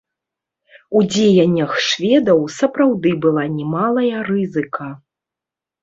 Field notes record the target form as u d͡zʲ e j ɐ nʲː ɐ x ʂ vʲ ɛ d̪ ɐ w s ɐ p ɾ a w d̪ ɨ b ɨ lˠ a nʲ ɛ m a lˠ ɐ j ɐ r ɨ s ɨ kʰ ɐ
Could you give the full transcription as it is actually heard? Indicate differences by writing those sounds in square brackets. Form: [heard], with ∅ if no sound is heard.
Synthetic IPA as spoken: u d͡zʲ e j ɐ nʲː ɐ x ʂ vʲ ɛ d̪ ɐ w s ɐ p ɾ a w d̪ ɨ b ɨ lˠ a nʲ ɛ m a lˠ ɐ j ɐ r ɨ [z] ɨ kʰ ɐ

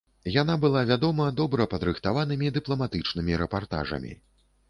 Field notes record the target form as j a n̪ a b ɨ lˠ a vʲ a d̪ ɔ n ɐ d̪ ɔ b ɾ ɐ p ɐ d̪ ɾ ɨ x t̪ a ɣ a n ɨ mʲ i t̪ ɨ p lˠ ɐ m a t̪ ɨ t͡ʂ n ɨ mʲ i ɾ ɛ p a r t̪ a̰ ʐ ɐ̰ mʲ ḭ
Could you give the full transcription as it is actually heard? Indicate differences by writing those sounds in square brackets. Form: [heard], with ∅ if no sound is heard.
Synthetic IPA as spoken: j a n̪ a b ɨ lˠ a vʲ a d̪ ɔ [m] ɐ d̪ ɔ b ɾ ɐ p ɐ d̪ ɾ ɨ x t̪ a [v] a n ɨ mʲ i [d̪] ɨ p lˠ ɐ m a t̪ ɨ t͡ʂ n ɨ mʲ i ɾ ɛ p a r t̪ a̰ ʐ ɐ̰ mʲ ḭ

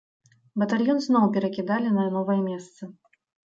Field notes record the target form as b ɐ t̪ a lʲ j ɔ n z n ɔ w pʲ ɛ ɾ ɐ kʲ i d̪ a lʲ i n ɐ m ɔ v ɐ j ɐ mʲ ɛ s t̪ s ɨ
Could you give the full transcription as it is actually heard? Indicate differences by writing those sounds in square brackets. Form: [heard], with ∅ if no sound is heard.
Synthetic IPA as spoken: b ɐ t̪ a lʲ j ɔ n z n ɔ w pʲ ɛ ɾ ɐ kʲ i d̪ a lʲ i n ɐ [n] ɔ v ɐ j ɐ mʲ ɛ s t̪ s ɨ

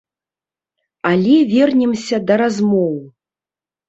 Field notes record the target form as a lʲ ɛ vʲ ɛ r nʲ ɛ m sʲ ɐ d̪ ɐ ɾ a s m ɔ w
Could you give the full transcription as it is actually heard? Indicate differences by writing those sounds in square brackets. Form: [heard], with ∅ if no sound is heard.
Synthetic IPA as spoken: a lʲ ɛ vʲ ɛ r nʲ ɛ m sʲ ɐ d̪ ɐ ɾ a [z] m ɔ w

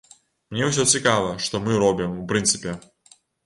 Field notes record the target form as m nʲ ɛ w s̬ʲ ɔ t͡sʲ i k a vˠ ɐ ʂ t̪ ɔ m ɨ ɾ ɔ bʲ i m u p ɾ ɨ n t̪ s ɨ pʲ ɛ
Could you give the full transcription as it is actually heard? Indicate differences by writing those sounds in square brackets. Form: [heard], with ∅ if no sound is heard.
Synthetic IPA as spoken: m nʲ ɛ w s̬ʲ ɔ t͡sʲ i k a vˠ ɐ ʂ t̪ ɔ m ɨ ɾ ɔ bʲ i m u p ɾ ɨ n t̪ s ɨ pʲ ɛ

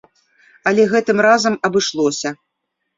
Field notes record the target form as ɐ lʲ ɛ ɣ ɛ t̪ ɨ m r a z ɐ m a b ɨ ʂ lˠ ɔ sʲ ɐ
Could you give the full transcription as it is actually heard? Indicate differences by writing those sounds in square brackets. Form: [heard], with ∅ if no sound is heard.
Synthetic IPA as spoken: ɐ lʲ ɛ ɣ ɛ t̪ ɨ m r a z ɐ m [ɐ] b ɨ ʂ lˠ ɔ sʲ ɐ

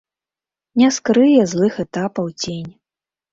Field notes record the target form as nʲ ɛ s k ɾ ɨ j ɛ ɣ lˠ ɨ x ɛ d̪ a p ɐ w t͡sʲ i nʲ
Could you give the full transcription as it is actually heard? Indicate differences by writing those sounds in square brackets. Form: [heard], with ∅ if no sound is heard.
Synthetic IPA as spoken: nʲ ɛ s k ɾ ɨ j ɛ [z] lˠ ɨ x ɛ [t̪] a p ɐ w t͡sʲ [e] nʲ

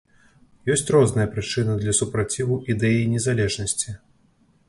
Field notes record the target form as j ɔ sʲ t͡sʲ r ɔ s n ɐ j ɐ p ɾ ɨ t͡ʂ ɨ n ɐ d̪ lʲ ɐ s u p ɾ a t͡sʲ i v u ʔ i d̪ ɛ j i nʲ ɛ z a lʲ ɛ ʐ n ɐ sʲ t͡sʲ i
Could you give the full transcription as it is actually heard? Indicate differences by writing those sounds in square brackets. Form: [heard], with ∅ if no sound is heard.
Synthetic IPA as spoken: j ɔ sʲ t͡sʲ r ɔ [z] n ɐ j ɐ p ɾ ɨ t͡ʂ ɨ n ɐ d̪ lʲ ɐ s u p ɾ a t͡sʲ i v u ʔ i d̪ ɛ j i nʲ ɛ z a lʲ ɛ ʐ n ɐ sʲ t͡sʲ i

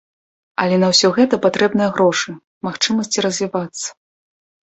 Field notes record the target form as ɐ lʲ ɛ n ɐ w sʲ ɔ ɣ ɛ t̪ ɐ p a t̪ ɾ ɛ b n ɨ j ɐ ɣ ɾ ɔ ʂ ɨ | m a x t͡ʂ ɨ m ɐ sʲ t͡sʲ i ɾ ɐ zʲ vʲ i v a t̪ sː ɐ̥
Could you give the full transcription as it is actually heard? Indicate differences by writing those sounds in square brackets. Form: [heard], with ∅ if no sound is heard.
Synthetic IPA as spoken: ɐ lʲ ɛ n ɐ w sʲ ɔ ɣ ɛ t̪ ɐ p a t̪ ɾ ɛ b n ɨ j ɐ ɣ ɾ ɔ ʂ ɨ | m a x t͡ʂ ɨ m ɐ sʲ t͡sʲ i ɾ ɐ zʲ vʲ i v a t̪ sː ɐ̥

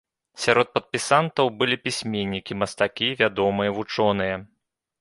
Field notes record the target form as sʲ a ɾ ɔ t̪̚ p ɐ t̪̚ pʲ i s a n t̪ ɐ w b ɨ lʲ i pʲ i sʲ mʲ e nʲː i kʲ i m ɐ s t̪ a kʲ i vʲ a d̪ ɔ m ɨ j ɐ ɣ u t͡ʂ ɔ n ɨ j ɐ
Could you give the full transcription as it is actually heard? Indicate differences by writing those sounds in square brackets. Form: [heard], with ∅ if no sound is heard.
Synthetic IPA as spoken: sʲ a ɾ ɔ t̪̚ p ɐ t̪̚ pʲ i s a n t̪ ɐ w b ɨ lʲ i pʲ i sʲ mʲ e nʲː i kʲ i m ɐ s t̪ a kʲ i vʲ a d̪ ɔ m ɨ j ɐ [v] u t͡ʂ ɔ n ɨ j ɐ

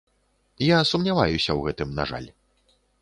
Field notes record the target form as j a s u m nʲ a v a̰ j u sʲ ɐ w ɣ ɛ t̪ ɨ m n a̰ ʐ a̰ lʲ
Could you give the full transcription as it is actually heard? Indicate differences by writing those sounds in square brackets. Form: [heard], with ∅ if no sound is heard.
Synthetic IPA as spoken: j a s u m nʲ a v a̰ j u sʲ ɐ w ɣ ɛ t̪ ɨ m n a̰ ʐ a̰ lʲ

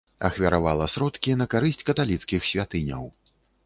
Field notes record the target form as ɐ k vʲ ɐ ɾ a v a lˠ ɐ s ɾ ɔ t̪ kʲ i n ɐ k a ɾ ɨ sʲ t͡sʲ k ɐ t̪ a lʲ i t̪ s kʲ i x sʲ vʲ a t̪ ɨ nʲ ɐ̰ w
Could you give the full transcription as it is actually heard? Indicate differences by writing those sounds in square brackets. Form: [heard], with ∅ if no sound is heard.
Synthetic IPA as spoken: ɐ [x] vʲ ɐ ɾ a v a lˠ ɐ s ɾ ɔ t̪ kʲ i n ɐ k a ɾ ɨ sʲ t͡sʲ k ɐ t̪ a lʲ i t̪ s kʲ i x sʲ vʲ a t̪ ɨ nʲ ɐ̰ w

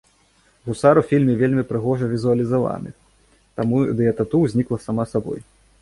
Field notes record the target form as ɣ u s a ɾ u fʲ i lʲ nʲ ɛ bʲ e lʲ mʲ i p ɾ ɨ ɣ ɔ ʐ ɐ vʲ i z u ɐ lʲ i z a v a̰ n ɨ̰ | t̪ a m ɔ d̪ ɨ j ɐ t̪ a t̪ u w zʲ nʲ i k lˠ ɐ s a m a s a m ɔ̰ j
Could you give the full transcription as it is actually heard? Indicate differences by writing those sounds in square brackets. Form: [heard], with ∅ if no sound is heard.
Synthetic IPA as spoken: ɣ u s a ɾ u fʲ i lʲ [mʲ] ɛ [vʲ] e lʲ mʲ i p ɾ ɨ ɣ ɔ ʐ ɐ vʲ i z u ɐ lʲ i z a v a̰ n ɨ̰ | t̪ a m [u] d̪ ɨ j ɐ t̪ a t̪ u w zʲ nʲ i k lˠ ɐ s a m a s a [b] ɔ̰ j

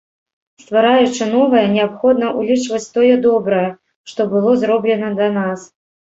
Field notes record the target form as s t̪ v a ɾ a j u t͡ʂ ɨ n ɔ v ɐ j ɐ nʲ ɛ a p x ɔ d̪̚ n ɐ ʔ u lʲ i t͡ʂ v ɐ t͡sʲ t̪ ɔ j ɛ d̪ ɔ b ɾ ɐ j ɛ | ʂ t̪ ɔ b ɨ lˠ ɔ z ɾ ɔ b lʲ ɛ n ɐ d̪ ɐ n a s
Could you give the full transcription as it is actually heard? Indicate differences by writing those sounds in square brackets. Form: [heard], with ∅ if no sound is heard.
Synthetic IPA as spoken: s t̪ v a ɾ a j u t͡ʂ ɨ n ɔ v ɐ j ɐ nʲ ɛ a p x ɔ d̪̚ n ɐ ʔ u lʲ i t͡ʂ v ɐ t͡sʲ t̪ ɔ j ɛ d̪ ɔ b ɾ ɐ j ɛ | ʂ t̪ ɔ b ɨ lˠ ɔ z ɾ ɔ b lʲ ɛ n ɐ d̪ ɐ n a s

